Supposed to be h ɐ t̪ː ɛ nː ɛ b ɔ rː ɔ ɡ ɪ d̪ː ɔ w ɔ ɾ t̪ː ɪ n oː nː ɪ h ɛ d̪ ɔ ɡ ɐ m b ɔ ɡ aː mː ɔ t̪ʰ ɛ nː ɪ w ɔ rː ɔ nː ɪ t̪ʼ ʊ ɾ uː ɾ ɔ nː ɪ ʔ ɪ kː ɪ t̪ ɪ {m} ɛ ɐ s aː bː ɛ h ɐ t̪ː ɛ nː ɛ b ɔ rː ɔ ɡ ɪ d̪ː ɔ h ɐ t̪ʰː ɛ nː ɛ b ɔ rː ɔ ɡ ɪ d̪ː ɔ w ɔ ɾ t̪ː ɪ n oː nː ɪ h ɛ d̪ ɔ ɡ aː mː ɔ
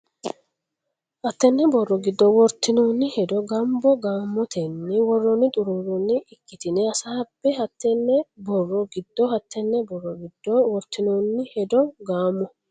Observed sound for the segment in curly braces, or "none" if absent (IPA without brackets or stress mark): n